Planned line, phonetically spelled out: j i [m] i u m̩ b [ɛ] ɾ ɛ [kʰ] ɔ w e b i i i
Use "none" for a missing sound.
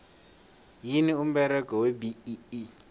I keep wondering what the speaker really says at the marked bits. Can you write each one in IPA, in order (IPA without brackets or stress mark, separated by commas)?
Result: n, ɛ, k